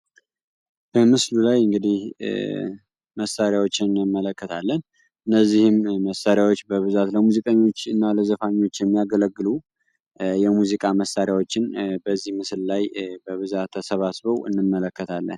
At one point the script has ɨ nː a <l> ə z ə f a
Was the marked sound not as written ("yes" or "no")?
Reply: no